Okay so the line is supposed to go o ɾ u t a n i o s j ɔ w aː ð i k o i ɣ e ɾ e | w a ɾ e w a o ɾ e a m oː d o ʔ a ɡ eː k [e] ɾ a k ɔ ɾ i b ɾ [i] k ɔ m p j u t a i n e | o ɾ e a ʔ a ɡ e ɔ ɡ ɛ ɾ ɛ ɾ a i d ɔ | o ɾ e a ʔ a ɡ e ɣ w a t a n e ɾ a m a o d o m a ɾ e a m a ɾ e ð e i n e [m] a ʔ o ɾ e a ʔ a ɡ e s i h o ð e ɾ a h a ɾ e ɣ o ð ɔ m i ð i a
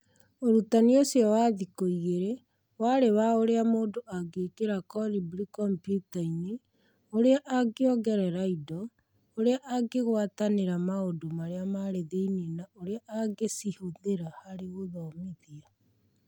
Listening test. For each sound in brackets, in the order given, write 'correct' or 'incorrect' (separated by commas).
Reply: correct, correct, incorrect